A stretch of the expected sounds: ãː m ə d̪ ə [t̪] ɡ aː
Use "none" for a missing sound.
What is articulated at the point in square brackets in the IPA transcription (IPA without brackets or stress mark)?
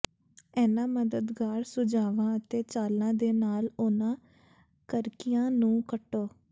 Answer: d̪